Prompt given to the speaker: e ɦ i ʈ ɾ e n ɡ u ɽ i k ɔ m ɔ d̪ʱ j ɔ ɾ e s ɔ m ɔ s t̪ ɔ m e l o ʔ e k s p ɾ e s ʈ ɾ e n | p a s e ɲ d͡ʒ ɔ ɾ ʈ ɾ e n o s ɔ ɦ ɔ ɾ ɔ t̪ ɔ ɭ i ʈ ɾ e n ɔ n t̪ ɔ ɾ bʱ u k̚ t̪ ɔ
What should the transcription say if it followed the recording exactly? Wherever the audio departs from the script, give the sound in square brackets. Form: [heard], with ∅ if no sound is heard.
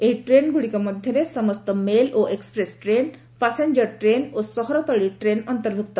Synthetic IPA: e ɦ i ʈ ɾ e n ɡ u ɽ i k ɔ m ɔ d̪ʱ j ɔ ɾ e s ɔ m ɔ s t̪ ɔ m e l o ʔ e k s p ɾ e s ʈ ɾ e n | p a s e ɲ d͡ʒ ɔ ɾ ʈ ɾ e n o s ɔ ɦ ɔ ɾ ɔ t̪ ɔ ɭ i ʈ ɾ e n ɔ n t̪ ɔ ɾ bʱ u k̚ t̪ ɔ